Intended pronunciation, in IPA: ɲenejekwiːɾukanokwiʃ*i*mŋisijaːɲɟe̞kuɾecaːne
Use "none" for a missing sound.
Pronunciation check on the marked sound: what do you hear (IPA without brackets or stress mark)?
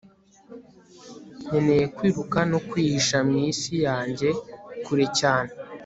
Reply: a